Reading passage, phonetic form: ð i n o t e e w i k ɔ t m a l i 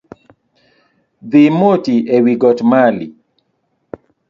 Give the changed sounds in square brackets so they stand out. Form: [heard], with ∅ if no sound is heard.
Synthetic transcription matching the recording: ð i [m] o t [i] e w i [ɡ] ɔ t m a l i